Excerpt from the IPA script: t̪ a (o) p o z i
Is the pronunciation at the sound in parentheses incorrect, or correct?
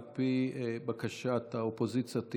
correct